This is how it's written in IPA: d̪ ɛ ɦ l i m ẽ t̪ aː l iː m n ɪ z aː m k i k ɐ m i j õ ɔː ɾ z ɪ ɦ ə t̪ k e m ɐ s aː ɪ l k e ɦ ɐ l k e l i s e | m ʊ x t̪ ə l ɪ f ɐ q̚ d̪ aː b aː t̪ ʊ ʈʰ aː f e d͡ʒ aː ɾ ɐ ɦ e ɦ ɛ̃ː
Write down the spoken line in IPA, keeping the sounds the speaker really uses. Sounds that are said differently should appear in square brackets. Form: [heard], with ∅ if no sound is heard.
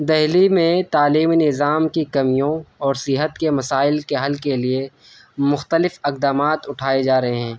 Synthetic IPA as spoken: d̪ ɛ ɦ l i m ẽ t̪ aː l iː m n ɪ z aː m k i k ɐ m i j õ ɔː ɾ [s] ɪ ɦ ə t̪ k e m ɐ s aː ɪ l k e ɦ ɐ l k e l i [∅] e | m ʊ x t̪ ə l ɪ f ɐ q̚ d̪ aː [m] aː t̪ ʊ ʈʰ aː [∅] e d͡ʒ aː ɾ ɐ ɦ e ɦ ɛ̃ː